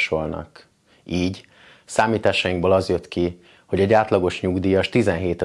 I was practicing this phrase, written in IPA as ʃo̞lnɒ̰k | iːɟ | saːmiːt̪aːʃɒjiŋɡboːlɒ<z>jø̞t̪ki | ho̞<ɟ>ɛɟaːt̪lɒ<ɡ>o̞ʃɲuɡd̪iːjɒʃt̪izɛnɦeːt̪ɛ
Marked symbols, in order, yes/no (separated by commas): yes, yes, yes